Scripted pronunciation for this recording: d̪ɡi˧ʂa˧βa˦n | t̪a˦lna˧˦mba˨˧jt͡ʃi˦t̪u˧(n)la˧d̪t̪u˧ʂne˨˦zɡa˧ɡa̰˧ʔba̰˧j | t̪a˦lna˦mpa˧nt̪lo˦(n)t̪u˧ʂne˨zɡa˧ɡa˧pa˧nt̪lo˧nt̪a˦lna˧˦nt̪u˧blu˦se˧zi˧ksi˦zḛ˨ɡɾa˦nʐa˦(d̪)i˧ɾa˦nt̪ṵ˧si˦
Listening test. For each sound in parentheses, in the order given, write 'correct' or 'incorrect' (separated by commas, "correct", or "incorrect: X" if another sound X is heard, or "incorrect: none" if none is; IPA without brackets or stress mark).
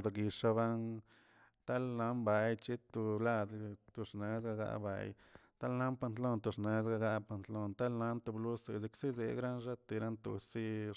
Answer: incorrect: none, correct, incorrect: t̪